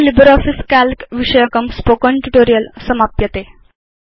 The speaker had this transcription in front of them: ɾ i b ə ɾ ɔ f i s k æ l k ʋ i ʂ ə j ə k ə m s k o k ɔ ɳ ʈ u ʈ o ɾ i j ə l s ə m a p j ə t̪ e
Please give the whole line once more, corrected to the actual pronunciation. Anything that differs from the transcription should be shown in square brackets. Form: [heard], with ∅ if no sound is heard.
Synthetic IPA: [l] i b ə ɾ ɔ f i s k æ l k ʋ i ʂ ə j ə k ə m s [p] o k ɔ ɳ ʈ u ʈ o ɾ i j ə l s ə m a p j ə t̪ e

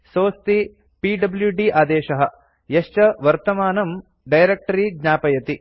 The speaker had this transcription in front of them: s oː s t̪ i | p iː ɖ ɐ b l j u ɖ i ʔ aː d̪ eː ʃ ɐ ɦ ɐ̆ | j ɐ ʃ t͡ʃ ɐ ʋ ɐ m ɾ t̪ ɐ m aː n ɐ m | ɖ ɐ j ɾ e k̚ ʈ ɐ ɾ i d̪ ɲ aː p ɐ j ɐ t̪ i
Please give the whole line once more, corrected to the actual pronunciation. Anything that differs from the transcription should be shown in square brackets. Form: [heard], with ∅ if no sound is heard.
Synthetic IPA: s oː s t̪ i | p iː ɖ ɐ b l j u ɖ i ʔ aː d̪ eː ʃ ɐ ɦ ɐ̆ | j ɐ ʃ t͡ʃ ɐ ʋ ɐ [∅] ɾ t̪ ɐ m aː n ɐ m | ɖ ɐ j ɾ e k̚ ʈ ɐ ɾ i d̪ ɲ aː p ɐ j ɐ t̪ i

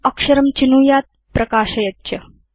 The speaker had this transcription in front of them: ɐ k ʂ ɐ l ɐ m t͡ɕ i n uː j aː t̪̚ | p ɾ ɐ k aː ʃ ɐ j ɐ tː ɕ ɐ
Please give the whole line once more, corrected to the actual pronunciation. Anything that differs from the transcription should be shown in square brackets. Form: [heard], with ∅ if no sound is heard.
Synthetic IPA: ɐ k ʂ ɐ [ɾ] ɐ m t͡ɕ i n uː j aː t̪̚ | p ɾ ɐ k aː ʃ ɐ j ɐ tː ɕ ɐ

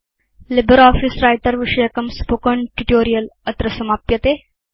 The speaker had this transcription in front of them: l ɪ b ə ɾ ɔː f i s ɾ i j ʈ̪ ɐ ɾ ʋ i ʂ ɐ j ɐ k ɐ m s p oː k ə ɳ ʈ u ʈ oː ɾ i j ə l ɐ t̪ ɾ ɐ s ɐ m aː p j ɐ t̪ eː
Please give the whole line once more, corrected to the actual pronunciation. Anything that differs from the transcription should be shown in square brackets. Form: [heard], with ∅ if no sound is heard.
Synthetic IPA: l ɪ b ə ɾ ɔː f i s ɾ [a] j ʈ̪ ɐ ɾ ʋ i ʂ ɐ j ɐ k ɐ m s p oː k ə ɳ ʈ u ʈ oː ɾ i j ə l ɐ t̪ ɾ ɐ s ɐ m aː p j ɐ t̪ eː

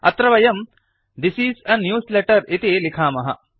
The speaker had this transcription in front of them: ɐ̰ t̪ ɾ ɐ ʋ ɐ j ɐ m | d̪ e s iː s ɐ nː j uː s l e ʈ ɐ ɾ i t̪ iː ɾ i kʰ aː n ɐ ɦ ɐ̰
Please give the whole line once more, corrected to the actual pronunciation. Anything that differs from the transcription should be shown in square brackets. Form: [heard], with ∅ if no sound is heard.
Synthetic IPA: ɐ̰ t̪ ɾ ɐ ʋ ɐ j ɐ m | d̪ [i] s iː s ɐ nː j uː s l e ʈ ɐ ɾ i t̪ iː [l] i kʰ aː [m] ɐ ɦ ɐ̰

